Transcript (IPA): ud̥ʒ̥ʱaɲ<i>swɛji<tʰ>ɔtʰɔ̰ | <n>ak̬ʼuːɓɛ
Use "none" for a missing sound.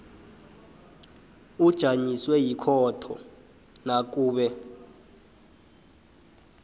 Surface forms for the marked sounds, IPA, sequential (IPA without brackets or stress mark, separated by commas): i, kʰ, n